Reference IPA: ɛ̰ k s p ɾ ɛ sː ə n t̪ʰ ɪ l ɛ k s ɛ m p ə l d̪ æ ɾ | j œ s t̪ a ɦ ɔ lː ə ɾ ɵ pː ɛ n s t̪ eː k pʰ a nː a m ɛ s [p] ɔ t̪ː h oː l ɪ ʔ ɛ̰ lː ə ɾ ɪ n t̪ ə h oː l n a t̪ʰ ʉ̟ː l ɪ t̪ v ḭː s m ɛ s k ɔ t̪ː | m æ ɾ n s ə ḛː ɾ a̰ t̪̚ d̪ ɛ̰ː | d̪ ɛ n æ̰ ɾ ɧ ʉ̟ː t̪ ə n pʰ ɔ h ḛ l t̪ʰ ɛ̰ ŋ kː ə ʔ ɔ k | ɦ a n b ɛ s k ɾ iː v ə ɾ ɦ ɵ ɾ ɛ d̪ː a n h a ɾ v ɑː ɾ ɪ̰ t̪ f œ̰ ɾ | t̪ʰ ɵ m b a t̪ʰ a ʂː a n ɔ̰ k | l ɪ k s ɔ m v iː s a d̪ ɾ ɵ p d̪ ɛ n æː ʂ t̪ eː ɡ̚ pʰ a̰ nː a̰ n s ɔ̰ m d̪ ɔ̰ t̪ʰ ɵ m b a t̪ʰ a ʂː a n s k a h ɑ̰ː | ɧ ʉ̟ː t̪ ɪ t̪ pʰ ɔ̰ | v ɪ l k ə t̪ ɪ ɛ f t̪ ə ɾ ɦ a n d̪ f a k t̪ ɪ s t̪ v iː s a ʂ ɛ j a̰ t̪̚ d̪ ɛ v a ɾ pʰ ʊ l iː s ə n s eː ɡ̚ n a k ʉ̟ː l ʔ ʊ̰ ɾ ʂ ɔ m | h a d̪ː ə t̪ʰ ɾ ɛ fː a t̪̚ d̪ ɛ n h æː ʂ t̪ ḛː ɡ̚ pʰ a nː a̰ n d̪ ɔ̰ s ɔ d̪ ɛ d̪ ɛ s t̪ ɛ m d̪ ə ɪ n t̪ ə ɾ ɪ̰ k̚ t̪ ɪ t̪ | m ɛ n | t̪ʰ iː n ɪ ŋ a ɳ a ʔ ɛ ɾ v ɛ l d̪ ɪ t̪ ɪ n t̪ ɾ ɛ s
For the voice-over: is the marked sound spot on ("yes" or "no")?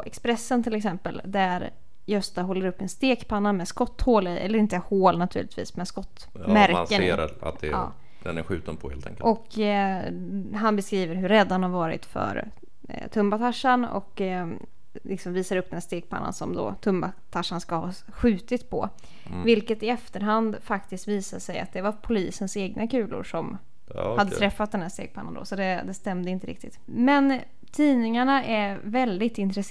no